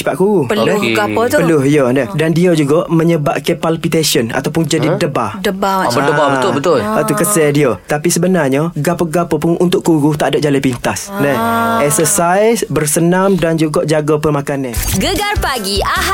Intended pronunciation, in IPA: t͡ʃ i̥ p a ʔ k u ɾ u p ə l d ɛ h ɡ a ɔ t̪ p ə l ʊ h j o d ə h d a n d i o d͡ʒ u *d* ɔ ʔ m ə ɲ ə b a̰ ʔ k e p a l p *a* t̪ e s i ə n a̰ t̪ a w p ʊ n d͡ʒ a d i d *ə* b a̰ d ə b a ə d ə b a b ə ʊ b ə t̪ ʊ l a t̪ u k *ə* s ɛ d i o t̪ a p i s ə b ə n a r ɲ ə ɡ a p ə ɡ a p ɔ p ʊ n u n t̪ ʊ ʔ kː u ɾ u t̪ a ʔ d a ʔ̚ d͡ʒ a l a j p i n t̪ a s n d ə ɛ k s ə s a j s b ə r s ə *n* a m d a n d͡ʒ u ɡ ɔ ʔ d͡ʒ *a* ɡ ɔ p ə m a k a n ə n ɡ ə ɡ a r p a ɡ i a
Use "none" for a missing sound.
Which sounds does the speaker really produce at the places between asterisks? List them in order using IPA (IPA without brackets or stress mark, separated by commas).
ɡ, i, ə, ə, n, a